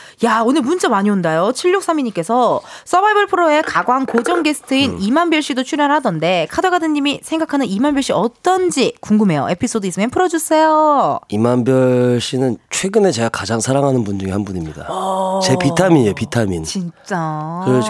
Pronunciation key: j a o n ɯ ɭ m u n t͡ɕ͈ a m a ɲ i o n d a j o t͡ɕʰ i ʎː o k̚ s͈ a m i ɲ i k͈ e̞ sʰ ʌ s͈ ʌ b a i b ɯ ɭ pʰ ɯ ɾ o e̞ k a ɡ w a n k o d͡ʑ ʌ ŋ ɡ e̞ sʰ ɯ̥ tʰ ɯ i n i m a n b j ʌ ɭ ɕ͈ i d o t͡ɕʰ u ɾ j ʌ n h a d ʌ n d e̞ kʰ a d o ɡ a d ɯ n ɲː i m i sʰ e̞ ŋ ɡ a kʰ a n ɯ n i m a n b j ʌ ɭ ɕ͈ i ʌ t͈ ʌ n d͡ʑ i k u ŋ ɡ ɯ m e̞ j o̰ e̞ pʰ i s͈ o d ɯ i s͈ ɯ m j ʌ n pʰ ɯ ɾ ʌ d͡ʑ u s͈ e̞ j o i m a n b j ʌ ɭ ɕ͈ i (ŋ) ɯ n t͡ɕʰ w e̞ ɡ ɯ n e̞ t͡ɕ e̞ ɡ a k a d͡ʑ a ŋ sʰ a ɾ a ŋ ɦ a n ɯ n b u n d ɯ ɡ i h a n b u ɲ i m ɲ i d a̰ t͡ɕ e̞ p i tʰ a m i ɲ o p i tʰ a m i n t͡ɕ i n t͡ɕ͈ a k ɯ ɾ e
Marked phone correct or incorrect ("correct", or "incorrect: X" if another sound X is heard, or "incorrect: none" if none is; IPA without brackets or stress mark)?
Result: incorrect: n